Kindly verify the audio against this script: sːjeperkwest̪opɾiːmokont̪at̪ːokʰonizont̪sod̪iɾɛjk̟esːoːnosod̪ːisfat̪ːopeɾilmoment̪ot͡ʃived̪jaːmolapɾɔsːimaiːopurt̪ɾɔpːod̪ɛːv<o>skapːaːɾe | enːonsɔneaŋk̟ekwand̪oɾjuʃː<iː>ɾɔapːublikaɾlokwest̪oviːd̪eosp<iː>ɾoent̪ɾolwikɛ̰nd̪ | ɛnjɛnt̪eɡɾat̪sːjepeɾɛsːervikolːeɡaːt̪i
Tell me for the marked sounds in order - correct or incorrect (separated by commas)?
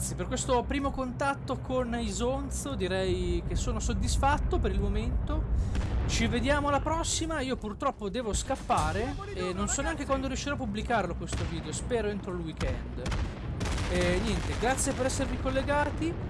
correct, incorrect, incorrect